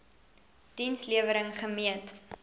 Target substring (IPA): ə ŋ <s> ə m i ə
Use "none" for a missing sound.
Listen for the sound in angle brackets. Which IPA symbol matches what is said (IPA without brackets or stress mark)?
χ